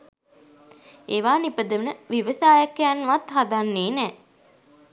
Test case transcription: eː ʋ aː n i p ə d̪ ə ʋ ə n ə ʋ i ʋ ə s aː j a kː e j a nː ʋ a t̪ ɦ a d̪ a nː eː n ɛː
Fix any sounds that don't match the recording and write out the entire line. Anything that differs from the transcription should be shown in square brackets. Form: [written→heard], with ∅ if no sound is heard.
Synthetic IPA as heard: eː ʋ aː n i p ə d̪ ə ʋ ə n ə ʋ i ʋ ə s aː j a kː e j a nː ʋ a t̪ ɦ a d̪ a nː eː n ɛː